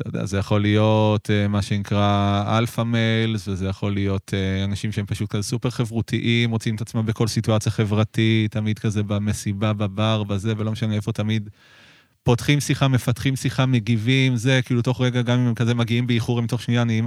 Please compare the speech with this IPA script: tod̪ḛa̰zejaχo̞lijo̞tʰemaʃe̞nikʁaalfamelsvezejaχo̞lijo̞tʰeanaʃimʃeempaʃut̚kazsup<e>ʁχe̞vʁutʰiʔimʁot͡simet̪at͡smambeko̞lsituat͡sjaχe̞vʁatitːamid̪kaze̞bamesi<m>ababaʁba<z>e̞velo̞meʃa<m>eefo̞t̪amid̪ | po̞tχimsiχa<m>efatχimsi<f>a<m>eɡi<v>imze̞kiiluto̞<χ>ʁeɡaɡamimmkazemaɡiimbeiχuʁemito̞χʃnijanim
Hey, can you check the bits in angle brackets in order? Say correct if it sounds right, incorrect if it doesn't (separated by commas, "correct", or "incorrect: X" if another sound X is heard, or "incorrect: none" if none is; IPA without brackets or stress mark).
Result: correct, incorrect: b, correct, incorrect: n, correct, incorrect: χ, correct, correct, correct